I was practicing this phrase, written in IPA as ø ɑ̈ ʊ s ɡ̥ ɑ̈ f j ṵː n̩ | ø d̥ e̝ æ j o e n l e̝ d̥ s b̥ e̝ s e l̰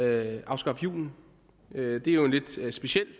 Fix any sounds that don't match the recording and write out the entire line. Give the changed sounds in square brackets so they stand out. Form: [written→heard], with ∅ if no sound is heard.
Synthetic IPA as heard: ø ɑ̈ ʊ s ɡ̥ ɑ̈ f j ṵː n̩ | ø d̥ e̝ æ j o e n l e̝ d̥ s b̥ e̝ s e l̰

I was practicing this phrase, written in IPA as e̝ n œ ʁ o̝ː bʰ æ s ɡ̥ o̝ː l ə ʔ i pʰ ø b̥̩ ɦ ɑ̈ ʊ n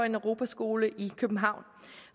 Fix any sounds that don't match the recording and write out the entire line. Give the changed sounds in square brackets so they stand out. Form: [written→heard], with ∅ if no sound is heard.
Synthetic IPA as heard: e̝ n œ ʁ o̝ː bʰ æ s ɡ̥ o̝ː l ə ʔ i [pʰ→kʰ] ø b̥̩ ɦ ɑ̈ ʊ n

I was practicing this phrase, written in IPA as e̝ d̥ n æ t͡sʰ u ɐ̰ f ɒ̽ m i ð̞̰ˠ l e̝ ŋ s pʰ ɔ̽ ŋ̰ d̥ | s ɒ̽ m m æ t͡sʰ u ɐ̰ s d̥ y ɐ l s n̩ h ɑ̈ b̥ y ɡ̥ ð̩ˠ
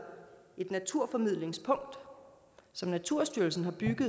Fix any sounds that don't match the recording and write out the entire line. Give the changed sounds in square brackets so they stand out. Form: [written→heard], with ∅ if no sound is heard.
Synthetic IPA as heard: e̝ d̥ n æ t͡sʰ u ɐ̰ f ɒ̽ m i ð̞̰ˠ l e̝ ŋ s pʰ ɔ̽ ŋ̰ d̥ | s ɒ̽ m [m→n] æ t͡sʰ u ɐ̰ s d̥ y ɐ l s n̩ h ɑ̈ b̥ y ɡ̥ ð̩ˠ

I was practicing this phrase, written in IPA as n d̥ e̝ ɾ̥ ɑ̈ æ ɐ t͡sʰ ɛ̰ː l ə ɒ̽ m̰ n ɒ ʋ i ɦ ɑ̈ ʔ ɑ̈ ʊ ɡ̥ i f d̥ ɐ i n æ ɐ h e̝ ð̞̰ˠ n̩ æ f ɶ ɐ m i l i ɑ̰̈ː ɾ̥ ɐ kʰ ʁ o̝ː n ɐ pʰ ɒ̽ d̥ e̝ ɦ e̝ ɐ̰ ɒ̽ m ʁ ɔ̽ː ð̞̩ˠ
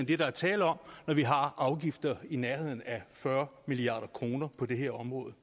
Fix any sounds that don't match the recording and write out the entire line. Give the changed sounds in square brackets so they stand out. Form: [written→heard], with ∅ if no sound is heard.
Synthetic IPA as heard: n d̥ e̝ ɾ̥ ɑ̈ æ ɐ t͡sʰ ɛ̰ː l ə ɒ̽ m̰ n ɒ ʋ i ɦ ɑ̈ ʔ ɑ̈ ʊ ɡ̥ i f d̥ ɐ i n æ ɐ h e̝ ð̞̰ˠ n̩ æ f ɶ ɐ m i l i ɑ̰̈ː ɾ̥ ɐ kʰ ʁ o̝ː n ɐ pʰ ɒ̽ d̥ e̝ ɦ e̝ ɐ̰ ɒ̽ m ʁ ɔ̽ː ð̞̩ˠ

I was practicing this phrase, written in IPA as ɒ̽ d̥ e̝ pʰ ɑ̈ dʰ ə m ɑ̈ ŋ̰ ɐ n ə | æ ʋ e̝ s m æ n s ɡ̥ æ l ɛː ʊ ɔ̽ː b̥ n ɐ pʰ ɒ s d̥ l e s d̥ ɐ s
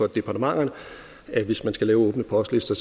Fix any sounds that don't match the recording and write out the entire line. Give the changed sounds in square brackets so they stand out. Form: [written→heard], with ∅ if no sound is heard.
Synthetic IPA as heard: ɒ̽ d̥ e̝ pʰ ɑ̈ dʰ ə m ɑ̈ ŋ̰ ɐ n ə | æ ʋ e̝ s m æ n s ɡ̥ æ l ɛː ʊ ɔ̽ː b̥ n [ɐ→ə] pʰ ɒ s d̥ l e s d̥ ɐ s

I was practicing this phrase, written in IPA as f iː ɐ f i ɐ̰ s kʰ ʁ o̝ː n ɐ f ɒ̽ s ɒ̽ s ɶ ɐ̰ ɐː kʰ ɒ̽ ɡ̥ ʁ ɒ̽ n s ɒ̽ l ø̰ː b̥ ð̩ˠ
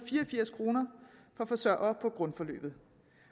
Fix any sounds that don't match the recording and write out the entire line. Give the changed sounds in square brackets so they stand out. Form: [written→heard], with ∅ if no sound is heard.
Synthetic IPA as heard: f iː ɐ f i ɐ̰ s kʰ ʁ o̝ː n ɐ f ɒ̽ [s→f] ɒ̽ s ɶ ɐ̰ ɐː [kʰ→pʰ] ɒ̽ ɡ̥ ʁ [ɒ̽→ɔ̽] n [s→f] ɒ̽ l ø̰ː b̥ ð̩ˠ

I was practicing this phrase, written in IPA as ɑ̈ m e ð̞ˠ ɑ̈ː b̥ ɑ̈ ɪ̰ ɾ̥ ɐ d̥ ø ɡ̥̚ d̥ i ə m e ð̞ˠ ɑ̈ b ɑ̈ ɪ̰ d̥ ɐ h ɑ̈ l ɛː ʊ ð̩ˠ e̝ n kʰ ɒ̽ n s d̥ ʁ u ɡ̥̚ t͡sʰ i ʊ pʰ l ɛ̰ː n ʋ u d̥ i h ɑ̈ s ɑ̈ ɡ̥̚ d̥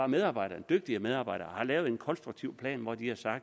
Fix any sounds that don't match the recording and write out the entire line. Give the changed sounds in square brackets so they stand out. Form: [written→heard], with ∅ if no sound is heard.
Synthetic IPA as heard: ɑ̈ m e ð̞ˠ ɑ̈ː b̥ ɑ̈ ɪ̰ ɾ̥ ɐ d̥ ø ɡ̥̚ d̥ i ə m e ð̞ˠ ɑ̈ b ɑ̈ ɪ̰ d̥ ɐ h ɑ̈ l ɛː ʊ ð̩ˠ e̝ n kʰ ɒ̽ n s d̥ ʁ u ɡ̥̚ t͡sʰ i ʊ pʰ l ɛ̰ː n ʋ [u→ɒ] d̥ i h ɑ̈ s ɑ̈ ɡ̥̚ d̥

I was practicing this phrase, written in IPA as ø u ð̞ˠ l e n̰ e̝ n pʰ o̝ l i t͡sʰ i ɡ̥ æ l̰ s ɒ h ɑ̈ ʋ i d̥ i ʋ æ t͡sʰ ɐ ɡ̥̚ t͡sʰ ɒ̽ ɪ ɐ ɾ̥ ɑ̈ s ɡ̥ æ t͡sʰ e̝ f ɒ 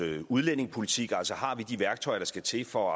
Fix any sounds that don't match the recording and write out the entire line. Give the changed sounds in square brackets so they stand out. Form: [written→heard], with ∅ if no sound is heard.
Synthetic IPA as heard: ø u ð̞ˠ l e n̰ e̝ [n→ŋ] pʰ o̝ l i t͡sʰ i ɡ̥ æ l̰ s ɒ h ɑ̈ ʋ i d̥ i ʋ æ [t͡sʰ→∅] ɐ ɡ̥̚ t͡sʰ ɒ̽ ɪ ɐ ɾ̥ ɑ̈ s ɡ̥ æ t͡sʰ e̝ f ɒ

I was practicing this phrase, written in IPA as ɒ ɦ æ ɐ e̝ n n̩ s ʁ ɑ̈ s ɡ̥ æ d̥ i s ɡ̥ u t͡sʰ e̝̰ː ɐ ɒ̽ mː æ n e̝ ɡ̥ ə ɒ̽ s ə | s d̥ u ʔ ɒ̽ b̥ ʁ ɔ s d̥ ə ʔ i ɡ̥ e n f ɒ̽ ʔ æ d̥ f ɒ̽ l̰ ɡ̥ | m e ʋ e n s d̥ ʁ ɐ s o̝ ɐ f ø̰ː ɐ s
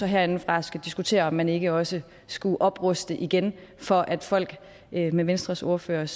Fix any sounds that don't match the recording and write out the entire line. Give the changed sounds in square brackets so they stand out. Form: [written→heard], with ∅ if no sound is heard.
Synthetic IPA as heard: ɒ ɦ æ ɐ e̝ n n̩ [s→f] ʁ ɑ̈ s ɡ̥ æ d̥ i s ɡ̥ u t͡sʰ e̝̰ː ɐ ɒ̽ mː æ n e̝ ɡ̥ ə ɒ̽ s ə | s [d̥→ɡ̥] u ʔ ɒ̽ b̥ ʁ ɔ s d̥ ə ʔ i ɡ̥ e n f ɒ̽ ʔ æ d̥ f ɒ̽ l̰ ɡ̥ | m e ʋ e n s d̥ ʁ ɐ s o̝ ɐ f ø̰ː ɐ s

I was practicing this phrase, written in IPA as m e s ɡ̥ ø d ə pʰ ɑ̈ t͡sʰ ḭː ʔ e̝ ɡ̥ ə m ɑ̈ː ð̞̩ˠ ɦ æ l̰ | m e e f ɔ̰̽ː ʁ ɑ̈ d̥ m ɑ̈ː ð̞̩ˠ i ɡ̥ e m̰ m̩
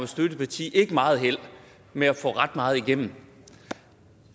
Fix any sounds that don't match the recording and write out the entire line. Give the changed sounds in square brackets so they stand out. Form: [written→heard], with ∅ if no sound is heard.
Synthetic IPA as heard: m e s [ɡ̥→d̥] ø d ə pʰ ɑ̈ t͡sʰ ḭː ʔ e̝ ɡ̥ ə m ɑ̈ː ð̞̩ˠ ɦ [æ→e] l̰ | m e [e→æ] f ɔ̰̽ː ʁ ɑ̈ d̥ m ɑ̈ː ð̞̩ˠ i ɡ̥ e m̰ m̩

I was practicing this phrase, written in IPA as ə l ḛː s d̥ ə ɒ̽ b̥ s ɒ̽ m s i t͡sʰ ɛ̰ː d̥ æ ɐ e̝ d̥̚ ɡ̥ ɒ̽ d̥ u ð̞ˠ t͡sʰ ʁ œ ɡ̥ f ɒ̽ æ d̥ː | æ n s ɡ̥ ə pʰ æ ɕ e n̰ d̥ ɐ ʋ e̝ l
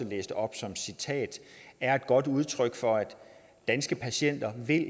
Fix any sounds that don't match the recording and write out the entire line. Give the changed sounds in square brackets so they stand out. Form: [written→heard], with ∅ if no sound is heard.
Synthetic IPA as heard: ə l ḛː s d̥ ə ɒ̽ b̥ s ɒ̽ m s i t͡sʰ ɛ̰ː d̥ æ ɐ e̝ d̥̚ ɡ̥ ɒ̽ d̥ u ð̞ˠ t͡sʰ ʁ œ ɡ̥ f ɒ̽ æ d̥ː | æ n s ɡ̥ ə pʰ æ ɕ e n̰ d̥ ɐ ʋ e̝ l

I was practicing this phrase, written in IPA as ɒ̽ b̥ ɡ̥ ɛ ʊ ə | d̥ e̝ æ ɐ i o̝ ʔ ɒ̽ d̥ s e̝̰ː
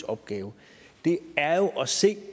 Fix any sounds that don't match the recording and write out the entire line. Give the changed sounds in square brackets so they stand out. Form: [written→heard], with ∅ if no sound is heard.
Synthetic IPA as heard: ɒ̽ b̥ ɡ̥ [ɛ→ɛː] ʊ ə | d̥ e̝ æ ɐ [i→j] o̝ ʔ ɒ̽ [d̥→∅] s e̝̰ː

